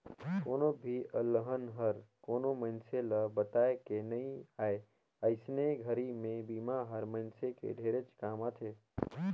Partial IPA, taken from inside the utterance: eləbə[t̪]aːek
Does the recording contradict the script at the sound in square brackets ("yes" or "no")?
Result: no